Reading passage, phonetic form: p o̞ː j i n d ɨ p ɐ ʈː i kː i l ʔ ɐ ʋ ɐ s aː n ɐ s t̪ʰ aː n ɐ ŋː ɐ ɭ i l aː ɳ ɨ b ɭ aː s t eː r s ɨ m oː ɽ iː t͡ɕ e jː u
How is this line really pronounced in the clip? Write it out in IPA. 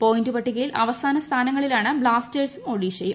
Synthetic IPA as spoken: p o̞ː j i n d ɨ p ɐ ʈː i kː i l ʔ ɐ ʋ ɐ s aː n ɐ s t̪ʰ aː n ɐ ŋː ɐ ɭ i l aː ɳ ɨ b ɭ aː s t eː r s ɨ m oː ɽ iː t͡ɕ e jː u